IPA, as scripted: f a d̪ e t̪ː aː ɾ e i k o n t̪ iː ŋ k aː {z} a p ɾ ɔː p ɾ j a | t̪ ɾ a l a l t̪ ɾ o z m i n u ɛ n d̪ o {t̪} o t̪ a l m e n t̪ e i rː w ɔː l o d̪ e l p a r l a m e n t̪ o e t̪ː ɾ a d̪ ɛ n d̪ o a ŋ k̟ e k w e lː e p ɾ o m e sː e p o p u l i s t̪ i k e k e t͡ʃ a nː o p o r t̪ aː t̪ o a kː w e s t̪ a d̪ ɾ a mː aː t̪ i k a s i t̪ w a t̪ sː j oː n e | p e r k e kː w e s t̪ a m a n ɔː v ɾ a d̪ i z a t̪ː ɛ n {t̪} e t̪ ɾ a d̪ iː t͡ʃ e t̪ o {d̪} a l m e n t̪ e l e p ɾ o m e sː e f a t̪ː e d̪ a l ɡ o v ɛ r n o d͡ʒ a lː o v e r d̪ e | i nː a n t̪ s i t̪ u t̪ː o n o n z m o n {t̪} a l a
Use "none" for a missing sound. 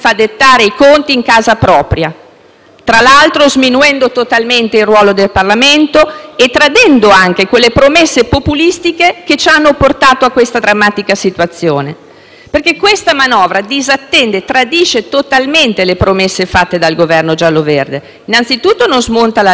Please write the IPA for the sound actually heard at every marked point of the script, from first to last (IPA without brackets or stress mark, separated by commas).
z, t̪, d̪, t̪, t̪